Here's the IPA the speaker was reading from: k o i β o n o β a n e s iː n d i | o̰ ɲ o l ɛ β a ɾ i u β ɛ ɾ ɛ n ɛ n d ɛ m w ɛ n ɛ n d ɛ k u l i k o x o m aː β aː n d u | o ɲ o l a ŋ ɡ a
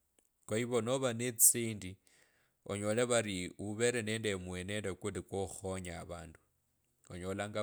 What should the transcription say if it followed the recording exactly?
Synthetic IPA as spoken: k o i β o n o β a n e t͡s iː n d i | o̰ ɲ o l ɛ β a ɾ i u β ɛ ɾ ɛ n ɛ n d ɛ m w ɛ n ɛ n d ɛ k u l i k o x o ɲ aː β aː n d u | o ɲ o l a ŋ ɡ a